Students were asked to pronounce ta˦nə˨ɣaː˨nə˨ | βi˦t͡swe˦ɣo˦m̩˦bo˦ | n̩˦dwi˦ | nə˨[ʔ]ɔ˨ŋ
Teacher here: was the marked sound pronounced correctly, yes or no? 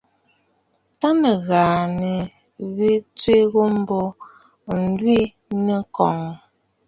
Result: no